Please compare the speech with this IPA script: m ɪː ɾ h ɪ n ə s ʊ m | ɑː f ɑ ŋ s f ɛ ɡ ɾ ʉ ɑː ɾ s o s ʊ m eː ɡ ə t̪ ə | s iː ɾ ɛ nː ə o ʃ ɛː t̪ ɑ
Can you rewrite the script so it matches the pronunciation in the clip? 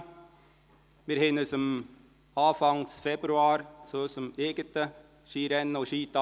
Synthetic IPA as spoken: m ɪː ɾ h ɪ n ə s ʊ m | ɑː f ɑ ŋ s f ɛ b ɾ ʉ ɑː ɾ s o s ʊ m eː ɡ ə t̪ ə | ʃ iː ɾ ɛ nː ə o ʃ iː t̪ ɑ